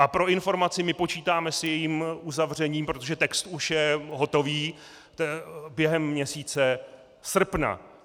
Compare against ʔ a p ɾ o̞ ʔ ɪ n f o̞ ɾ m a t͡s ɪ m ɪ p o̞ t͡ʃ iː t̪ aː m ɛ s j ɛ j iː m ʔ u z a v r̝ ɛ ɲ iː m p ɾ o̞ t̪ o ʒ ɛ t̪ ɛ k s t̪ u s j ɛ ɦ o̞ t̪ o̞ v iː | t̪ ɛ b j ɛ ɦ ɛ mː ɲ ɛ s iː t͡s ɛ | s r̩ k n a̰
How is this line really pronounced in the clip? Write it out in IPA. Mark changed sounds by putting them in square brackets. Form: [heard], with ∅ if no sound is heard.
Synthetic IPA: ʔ a p ɾ o̞ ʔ ɪ n f o̞ ɾ m a t͡s ɪ m ɪ p o̞ t͡ʃ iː t̪ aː m ɛ s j ɛ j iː m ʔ u z a v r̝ ɛ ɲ iː m p ɾ o̞ t̪ o ʒ ɛ t̪ ɛ k s t̪ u [ʃ] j ɛ ɦ o̞ t̪ o̞ v iː | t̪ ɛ b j ɛ ɦ ɛ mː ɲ ɛ s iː t͡s ɛ | s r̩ [p] n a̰